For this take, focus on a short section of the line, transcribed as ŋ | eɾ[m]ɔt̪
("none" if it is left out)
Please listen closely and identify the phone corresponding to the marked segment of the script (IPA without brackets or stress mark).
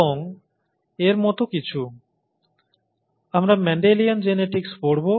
m